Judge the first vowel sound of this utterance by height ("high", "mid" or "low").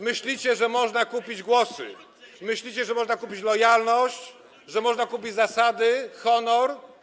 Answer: mid